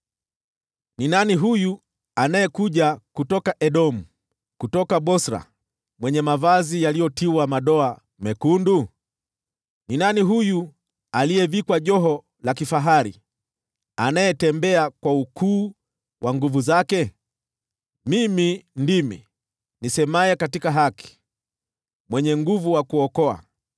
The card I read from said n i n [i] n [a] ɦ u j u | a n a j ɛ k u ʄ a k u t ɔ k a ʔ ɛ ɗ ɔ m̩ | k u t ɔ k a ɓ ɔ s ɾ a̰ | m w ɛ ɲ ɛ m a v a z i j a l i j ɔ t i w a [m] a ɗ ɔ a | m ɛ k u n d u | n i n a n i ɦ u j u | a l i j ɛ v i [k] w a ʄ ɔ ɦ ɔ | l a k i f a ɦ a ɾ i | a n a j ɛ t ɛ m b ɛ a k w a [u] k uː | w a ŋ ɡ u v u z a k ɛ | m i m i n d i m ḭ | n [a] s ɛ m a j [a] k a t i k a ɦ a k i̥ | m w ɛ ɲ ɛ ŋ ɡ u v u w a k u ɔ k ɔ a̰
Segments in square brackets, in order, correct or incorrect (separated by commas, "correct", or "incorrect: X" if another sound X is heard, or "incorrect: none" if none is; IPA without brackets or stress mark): incorrect: a, incorrect: i, correct, correct, correct, incorrect: i, incorrect: ɛ